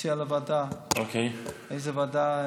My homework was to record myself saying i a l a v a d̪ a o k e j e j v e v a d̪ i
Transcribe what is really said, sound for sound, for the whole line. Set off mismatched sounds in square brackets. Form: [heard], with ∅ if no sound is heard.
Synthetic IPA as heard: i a l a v a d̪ a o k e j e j [z] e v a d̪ [a]